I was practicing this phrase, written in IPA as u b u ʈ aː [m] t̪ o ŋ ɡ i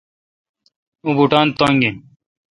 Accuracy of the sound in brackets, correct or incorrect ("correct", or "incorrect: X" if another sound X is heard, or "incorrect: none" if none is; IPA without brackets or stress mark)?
incorrect: n